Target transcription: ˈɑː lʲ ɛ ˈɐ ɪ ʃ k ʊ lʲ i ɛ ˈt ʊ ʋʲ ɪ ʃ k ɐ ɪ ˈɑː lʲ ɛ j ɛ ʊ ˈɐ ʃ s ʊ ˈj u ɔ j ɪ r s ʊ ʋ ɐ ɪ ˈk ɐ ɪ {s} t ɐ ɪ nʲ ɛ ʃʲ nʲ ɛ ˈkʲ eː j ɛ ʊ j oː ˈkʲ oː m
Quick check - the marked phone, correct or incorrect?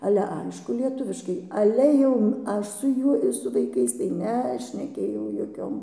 correct